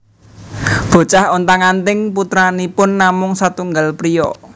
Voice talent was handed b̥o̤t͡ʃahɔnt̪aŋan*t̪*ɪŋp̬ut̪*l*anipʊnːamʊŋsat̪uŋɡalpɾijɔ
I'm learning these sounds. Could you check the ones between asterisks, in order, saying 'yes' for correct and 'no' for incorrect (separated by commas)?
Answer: yes, no